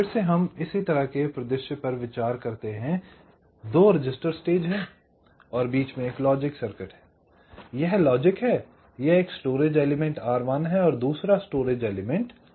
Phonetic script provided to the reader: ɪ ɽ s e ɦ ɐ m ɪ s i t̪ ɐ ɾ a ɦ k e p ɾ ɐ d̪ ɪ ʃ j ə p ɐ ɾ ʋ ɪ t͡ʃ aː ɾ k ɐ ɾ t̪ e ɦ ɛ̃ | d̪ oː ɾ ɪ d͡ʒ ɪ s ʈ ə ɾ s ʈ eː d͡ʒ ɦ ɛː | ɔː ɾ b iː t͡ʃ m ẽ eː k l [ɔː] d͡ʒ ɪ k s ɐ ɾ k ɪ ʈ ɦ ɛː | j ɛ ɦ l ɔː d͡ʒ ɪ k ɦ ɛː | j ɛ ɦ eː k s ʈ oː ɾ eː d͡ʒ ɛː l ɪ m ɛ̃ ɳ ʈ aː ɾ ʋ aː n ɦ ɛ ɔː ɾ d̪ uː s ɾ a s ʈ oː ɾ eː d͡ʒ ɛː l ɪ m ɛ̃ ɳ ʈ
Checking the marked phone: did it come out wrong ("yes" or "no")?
no